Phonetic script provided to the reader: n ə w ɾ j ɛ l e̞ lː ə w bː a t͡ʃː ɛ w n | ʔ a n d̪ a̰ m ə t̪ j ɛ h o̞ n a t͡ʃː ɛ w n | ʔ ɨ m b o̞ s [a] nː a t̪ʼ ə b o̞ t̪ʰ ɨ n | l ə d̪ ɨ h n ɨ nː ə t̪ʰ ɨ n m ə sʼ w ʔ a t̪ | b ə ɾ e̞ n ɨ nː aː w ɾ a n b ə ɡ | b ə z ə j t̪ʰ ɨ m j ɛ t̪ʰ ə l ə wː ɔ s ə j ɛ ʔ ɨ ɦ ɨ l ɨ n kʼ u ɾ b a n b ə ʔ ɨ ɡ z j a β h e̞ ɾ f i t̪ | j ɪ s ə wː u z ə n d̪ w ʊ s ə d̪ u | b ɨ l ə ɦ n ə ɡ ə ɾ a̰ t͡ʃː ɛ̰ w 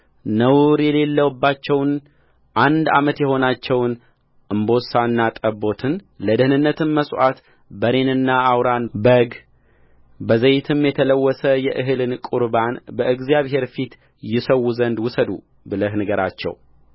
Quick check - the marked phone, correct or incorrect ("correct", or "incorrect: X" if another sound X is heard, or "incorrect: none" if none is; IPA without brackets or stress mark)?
correct